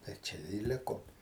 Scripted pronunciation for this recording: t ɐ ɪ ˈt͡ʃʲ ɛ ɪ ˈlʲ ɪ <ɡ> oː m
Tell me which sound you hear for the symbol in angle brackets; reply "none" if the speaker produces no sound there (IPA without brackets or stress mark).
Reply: k